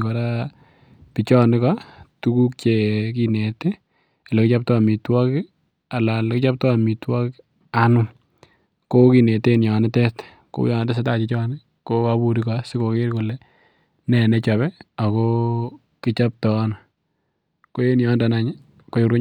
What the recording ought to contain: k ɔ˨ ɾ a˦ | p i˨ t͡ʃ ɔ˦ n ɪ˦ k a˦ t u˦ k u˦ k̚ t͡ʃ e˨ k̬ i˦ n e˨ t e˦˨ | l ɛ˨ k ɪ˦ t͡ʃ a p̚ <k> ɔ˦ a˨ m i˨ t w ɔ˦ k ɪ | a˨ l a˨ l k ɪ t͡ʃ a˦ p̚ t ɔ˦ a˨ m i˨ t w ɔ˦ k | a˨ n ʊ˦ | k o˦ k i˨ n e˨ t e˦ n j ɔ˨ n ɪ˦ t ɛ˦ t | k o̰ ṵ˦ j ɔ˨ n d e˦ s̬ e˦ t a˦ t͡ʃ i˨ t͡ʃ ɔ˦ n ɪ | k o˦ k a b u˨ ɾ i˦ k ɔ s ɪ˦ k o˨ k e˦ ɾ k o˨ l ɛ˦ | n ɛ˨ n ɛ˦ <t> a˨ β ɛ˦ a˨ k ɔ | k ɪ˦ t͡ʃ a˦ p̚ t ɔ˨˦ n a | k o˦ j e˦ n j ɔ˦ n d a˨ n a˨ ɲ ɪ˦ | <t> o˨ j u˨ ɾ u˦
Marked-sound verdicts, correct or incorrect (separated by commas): incorrect, incorrect, incorrect